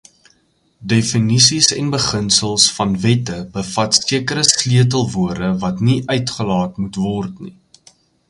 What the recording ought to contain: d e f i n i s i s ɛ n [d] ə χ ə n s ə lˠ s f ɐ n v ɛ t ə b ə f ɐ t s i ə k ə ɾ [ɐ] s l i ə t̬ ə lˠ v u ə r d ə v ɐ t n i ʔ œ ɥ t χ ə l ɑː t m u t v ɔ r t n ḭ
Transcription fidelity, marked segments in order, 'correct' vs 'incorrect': incorrect, incorrect

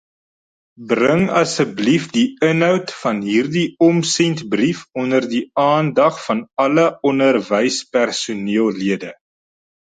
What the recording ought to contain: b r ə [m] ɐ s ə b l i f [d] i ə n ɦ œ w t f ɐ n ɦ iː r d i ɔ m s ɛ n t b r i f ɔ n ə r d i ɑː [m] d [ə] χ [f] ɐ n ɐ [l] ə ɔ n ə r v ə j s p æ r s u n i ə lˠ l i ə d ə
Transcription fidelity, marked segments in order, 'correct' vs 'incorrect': incorrect, correct, incorrect, incorrect, correct, correct

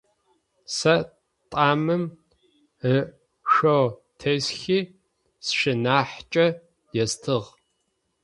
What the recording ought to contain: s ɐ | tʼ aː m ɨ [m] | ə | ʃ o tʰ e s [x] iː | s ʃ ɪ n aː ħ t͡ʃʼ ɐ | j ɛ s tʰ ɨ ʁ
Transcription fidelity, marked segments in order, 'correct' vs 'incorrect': correct, correct

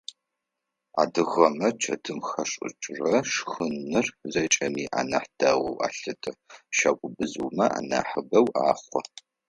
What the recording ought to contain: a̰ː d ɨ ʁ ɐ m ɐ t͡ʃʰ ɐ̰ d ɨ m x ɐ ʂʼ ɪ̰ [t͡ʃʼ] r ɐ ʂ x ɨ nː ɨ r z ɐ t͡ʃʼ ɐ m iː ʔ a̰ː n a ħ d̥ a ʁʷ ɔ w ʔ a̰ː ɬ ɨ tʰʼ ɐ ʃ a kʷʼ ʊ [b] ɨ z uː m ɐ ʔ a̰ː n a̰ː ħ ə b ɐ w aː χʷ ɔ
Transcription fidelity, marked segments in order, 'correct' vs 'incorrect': correct, correct

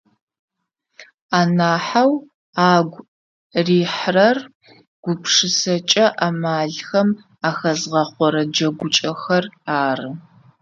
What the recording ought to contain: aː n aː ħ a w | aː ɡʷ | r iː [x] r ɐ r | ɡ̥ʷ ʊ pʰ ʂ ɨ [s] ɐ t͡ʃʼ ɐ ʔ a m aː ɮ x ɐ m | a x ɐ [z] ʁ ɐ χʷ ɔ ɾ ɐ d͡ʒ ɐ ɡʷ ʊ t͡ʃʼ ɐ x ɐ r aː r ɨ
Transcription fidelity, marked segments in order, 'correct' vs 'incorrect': incorrect, correct, correct

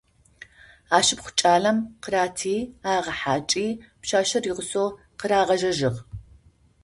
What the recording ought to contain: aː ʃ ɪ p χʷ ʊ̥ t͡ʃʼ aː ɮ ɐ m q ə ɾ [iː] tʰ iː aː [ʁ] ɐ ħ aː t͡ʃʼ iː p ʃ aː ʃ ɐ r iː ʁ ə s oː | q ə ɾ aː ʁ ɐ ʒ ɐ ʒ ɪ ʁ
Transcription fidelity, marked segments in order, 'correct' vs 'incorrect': incorrect, correct

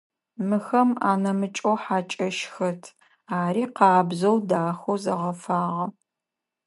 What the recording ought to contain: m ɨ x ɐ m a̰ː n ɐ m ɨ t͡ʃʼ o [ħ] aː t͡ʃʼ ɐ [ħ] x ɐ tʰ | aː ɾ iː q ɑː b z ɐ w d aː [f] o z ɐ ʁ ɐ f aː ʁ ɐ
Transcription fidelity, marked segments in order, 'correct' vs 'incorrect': correct, incorrect, incorrect

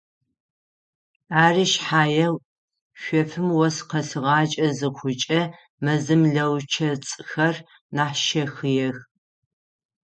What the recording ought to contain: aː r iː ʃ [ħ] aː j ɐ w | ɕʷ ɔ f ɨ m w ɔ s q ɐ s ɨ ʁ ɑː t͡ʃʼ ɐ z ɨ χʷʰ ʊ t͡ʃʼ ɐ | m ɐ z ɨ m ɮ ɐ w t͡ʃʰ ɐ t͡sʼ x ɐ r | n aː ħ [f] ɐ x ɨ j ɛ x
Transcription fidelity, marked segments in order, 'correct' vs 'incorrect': correct, incorrect

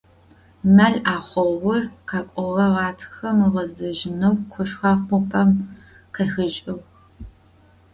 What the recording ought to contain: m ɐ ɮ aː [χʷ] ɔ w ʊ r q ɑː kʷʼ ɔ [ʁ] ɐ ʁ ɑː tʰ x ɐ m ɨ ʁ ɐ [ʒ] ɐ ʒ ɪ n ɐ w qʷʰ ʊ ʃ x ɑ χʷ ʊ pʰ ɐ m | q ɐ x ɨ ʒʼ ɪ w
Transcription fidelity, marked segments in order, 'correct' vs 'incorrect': correct, correct, incorrect

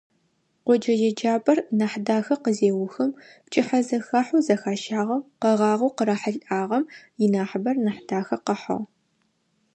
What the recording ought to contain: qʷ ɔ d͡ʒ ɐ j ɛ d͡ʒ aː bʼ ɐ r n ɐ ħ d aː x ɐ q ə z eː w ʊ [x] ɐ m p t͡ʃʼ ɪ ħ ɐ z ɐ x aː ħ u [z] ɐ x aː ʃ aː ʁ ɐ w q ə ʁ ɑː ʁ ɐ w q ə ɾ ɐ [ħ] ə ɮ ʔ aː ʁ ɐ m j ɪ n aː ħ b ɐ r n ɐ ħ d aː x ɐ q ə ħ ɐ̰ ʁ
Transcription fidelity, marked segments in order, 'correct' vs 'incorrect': correct, correct, correct

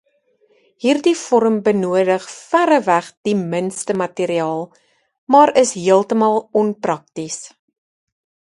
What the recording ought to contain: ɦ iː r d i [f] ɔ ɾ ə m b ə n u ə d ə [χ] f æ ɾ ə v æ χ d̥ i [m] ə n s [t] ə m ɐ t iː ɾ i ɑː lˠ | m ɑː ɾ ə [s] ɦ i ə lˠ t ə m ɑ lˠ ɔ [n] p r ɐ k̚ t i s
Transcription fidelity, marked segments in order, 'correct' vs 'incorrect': correct, correct, correct, correct, correct, correct

